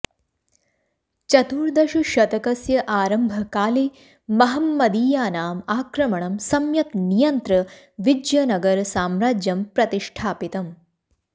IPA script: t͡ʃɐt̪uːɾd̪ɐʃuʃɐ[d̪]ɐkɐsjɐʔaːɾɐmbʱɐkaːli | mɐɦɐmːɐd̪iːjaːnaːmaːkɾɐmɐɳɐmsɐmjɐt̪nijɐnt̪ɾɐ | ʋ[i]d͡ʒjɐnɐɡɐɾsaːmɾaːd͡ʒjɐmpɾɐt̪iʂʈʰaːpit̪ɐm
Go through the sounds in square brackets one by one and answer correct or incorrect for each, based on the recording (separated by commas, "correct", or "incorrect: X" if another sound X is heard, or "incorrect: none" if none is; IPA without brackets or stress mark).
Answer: incorrect: t̪, correct